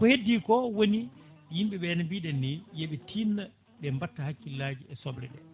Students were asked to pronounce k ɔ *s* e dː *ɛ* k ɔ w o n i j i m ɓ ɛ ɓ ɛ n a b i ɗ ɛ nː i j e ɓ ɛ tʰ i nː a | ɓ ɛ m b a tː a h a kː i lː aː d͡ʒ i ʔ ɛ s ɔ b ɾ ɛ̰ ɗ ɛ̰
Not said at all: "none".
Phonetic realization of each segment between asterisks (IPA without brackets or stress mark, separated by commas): h, i